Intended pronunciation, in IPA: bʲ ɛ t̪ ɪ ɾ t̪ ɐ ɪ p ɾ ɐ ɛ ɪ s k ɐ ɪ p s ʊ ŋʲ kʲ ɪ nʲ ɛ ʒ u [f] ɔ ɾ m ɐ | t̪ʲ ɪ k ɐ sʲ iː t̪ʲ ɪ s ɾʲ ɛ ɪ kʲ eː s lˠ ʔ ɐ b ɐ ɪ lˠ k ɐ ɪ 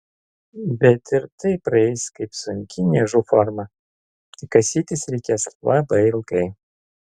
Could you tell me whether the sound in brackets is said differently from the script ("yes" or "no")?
no